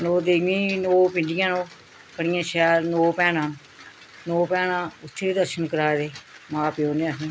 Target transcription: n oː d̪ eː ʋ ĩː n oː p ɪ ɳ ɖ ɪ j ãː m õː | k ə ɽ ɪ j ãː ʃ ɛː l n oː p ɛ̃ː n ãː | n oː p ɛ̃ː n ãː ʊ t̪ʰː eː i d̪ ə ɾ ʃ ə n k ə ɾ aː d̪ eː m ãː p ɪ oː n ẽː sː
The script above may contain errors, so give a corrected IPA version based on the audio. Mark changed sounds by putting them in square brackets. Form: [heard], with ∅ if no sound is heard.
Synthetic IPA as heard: n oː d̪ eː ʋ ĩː n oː p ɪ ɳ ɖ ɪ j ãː [n] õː | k ə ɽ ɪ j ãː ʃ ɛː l n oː p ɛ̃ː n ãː | n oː p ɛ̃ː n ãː ʊ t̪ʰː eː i d̪ ə ɾ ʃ ə n k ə ɾ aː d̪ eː m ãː p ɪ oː n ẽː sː

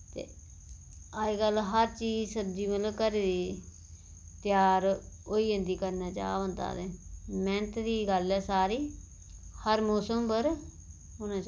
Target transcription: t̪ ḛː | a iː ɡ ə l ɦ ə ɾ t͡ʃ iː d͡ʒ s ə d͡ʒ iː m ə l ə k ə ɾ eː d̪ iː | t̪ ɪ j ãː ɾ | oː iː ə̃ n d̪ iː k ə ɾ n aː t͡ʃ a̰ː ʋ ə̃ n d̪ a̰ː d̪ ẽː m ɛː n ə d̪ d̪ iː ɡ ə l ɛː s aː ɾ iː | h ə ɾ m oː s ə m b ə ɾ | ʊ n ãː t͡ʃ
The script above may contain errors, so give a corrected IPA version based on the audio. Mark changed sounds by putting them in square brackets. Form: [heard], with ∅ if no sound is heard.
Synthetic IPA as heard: t̪ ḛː | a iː ɡ ə l ɦ ə ɾ t͡ʃ iː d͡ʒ s ə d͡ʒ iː m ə l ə k ə ɾ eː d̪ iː | t̪ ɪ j [aː] ɾ | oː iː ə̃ n d̪ iː k ə ɾ n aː t͡ʃ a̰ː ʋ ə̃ n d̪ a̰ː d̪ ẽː m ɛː n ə [t̪] d̪ iː ɡ ə l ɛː s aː ɾ iː | h ə ɾ m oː s ə m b ə ɾ | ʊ n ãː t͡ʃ

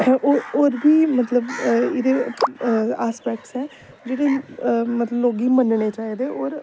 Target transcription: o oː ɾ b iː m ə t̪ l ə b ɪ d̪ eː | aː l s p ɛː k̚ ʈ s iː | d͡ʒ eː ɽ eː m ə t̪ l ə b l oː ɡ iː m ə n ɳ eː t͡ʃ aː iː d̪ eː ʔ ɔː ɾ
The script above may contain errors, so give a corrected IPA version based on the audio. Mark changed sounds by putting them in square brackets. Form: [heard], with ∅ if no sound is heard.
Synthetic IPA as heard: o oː ɾ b iː m ə t̪ l ə b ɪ d̪ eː | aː [∅] s p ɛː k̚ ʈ s [ɛː] | d͡ʒ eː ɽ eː m ə t̪ l ə b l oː ɡ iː m ə n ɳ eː t͡ʃ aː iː d̪ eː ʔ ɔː ɾ

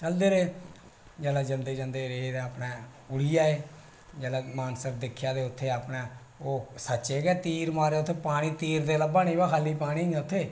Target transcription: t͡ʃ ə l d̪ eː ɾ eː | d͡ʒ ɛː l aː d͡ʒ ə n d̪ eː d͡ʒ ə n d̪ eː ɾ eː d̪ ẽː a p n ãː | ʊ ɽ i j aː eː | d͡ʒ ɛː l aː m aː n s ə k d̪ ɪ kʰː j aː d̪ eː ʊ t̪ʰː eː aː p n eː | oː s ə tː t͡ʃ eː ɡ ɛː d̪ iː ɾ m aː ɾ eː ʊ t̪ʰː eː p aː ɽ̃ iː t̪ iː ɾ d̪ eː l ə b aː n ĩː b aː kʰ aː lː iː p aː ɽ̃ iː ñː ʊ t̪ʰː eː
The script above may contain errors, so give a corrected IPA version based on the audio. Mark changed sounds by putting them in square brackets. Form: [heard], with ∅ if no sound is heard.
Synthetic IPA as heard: t͡ʃ ə l d̪ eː ɾ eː | d͡ʒ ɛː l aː d͡ʒ ə n d̪ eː d͡ʒ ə n d̪ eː ɾ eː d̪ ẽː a p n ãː | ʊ ɽ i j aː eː | d͡ʒ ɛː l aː m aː n s ə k d̪ ɪ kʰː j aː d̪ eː ʊ t̪ʰː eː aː p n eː | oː s ə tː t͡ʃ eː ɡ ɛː [t̪] iː ɾ m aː ɾ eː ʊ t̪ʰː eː p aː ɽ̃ iː t̪ iː ɾ d̪ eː l ə b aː n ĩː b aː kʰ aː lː iː p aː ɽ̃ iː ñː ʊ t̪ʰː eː

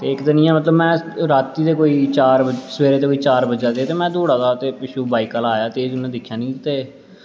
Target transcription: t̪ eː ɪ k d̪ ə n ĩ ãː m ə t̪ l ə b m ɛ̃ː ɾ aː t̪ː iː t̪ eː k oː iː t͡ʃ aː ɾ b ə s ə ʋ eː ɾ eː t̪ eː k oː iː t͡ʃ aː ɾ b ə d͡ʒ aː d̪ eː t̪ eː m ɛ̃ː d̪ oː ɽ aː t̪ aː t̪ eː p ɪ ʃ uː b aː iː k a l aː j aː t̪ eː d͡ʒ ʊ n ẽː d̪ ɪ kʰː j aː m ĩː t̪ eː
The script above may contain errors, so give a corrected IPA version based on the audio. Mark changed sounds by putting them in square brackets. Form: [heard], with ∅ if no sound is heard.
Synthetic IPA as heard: t̪ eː ɪ k d̪ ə n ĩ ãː m ə t̪ l ə b m ɛ̃ː ɾ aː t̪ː iː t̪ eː k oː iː t͡ʃ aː ɾ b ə s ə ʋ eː ɾ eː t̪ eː k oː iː t͡ʃ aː ɾ b ə d͡ʒ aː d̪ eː t̪ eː m ɛ̃ː d̪ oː ɽ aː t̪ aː t̪ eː p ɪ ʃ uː b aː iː k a l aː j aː t̪ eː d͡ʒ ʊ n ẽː d̪ ɪ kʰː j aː [n] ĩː t̪ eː

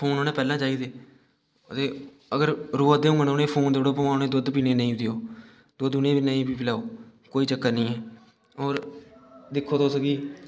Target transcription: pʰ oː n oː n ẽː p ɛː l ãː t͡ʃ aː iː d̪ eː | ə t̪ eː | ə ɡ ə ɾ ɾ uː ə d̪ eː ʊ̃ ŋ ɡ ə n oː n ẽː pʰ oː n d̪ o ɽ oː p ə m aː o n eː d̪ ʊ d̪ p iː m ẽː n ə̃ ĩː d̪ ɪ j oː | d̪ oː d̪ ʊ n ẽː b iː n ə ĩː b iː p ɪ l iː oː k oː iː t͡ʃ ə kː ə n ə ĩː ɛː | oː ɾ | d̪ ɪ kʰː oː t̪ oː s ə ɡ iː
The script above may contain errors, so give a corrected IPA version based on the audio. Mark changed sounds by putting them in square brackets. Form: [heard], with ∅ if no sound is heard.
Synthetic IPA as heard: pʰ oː n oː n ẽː p ɛː l ãː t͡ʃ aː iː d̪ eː | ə t̪ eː | ə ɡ ə ɾ ɾ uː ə d̪ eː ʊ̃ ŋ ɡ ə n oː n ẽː pʰ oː n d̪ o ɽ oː p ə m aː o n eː d̪ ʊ d̪ p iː [n] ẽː n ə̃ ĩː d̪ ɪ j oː | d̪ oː d̪ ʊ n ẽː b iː n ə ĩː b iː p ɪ l [aː] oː k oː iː t͡ʃ ə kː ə n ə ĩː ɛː | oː ɾ | d̪ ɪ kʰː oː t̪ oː s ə ɡ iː

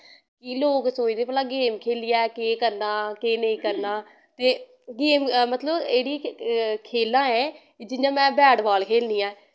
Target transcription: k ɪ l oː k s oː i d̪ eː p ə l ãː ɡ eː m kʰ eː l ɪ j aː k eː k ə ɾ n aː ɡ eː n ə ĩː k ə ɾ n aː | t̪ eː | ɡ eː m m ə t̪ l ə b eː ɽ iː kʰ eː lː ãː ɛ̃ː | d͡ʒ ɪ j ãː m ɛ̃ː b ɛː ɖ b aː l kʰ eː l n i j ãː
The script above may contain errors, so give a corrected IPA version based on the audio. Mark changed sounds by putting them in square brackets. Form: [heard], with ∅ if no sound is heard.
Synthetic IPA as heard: k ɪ l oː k s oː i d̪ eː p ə l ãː ɡ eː m kʰ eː l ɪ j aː k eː k ə ɾ n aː [k] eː n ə ĩː k ə ɾ n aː | t̪ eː | ɡ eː m m ə t̪ l ə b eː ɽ iː kʰ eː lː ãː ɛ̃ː | d͡ʒ ɪ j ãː m ɛ̃ː b ɛː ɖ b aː l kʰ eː l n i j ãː

